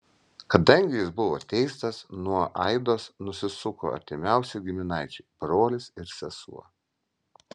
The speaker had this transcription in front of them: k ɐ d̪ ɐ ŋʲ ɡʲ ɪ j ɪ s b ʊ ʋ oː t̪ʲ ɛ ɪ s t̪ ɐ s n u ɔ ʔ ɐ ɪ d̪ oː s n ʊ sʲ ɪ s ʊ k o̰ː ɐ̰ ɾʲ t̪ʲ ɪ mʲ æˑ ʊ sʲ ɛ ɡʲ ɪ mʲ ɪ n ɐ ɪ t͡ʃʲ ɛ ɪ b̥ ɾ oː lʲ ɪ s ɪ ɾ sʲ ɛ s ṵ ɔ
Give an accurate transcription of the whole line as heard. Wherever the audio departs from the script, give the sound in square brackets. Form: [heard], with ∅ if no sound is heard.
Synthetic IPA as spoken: k ɐ d̪ ɐ ŋʲ ɡʲ ɪ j ɪ s b ʊ ʋ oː t̪ʲ ɛ ɪ s t̪ ɐ s n u ɔ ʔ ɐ ɪ d̪ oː s n ʊ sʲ ɪ s ʊ k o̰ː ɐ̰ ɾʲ t̪ʲ ɪ mʲ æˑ ʊ sʲ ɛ ɡʲ ɪ mʲ ɪ n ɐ ɪ t͡ʃʲ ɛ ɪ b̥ ɾ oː lʲ ɪ s ɪ ɾ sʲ ɛ s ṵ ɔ